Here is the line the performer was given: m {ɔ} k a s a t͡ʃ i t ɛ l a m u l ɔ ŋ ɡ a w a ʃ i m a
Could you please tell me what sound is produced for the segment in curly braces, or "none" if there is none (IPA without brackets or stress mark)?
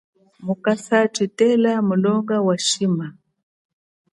u